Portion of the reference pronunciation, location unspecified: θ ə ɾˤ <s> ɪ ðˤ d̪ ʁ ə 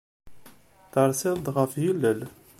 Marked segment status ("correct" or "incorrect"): correct